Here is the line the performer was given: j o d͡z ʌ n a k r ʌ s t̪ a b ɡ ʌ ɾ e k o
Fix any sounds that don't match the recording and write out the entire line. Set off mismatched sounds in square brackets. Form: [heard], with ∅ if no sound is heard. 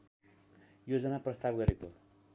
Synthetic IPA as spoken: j o d͡z ʌ n a [p] r ʌ s t̪ a b ɡ ʌ ɾ e k o